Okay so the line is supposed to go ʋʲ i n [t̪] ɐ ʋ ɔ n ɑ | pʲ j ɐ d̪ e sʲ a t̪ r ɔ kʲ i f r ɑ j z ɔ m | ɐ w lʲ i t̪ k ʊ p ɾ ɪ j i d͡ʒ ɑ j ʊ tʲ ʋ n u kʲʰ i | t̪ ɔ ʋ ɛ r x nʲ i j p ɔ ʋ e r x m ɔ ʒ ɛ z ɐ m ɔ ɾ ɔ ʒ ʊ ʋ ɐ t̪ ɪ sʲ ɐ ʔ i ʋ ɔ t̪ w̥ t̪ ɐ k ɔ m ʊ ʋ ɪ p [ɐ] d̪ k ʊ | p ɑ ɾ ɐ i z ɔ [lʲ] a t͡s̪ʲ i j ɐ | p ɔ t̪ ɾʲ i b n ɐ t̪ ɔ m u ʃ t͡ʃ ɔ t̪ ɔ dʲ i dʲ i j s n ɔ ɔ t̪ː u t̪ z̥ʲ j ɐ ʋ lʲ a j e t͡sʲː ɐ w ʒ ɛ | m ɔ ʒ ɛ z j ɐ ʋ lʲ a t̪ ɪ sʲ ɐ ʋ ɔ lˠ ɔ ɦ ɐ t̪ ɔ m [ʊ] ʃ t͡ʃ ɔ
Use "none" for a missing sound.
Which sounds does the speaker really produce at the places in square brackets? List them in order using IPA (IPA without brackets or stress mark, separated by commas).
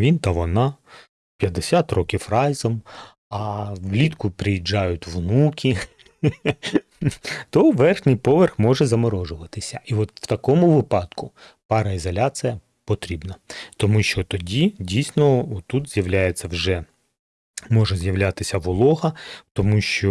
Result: t̪, ɑ, lʲ, u